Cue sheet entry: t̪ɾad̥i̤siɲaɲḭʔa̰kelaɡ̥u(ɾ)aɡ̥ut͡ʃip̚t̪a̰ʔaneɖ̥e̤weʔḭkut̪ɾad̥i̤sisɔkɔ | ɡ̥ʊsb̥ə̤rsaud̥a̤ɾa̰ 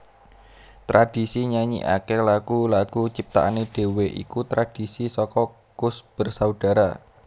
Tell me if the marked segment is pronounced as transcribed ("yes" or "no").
no